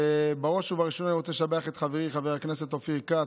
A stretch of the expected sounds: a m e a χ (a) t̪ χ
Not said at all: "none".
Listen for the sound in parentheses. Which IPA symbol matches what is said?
e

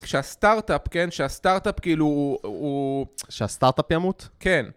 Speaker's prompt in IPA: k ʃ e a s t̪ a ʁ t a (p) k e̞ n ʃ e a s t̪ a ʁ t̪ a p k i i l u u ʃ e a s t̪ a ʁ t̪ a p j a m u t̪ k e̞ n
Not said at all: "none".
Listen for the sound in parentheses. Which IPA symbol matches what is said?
p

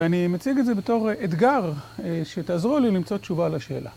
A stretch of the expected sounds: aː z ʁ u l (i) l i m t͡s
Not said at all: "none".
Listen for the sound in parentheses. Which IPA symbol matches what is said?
i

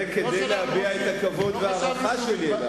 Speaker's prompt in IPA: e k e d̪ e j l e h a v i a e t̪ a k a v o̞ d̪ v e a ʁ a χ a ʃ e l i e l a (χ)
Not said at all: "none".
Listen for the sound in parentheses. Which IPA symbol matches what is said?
none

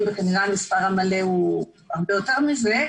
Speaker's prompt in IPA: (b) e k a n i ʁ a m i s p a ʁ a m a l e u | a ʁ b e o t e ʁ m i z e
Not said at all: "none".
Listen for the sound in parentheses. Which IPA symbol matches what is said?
b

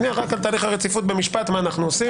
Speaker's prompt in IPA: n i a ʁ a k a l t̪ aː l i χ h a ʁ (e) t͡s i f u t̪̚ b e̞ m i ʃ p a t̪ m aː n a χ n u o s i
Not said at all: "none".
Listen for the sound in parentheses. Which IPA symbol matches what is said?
e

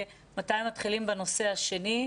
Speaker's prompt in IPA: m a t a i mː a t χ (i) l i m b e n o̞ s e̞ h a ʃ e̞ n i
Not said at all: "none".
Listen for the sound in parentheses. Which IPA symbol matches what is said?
i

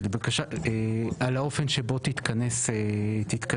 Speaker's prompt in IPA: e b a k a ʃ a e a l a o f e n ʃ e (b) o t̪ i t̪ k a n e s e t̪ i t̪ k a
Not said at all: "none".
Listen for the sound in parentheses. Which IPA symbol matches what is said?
b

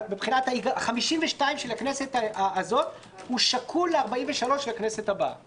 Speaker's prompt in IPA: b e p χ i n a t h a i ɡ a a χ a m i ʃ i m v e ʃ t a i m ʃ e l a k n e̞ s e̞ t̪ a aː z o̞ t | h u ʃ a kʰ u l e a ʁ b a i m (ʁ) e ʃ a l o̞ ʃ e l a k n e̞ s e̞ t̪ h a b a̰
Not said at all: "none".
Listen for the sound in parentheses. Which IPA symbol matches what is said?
v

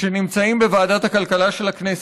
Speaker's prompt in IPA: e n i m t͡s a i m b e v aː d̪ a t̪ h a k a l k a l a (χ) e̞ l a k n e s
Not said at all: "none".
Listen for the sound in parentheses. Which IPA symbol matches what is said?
ʃ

